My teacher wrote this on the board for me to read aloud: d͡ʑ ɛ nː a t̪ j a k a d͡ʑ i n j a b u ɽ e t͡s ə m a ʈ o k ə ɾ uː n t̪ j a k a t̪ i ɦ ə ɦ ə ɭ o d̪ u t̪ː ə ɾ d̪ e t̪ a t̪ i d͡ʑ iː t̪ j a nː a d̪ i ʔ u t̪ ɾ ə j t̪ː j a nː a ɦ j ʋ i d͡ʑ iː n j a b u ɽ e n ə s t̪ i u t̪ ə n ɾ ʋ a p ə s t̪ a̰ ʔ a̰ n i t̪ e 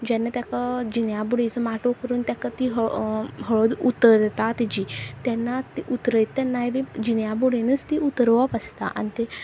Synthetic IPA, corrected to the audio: d͡ʑ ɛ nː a t̪ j a k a d͡ʑ i n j a b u ɽ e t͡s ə m a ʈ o k ə ɾ uː n t̪ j a k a t̪ i ɦ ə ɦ ə ɭ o d̪ u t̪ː ə ɾ d̪ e t̪ a t̪ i d͡ʑ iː t̪ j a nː a t̪ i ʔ u t̪ ɾ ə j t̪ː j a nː a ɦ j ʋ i d͡ʑ i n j a b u ɽ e n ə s t̪ i u t̪ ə ɾ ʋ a p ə s t̪ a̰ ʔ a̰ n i t̪ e